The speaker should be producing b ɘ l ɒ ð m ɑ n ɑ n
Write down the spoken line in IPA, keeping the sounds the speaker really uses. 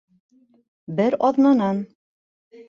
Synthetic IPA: b ɘ ɾ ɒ ð n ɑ n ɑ n